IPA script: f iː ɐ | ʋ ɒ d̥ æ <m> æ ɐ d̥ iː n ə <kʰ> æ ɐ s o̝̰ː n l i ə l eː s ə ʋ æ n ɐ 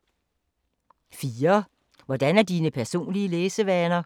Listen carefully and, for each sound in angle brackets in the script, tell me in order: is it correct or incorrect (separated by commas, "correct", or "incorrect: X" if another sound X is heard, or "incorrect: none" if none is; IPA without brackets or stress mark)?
incorrect: n, incorrect: pʰ